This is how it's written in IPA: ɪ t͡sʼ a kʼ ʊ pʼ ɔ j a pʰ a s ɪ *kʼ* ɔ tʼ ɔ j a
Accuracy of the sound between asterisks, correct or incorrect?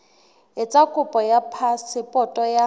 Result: incorrect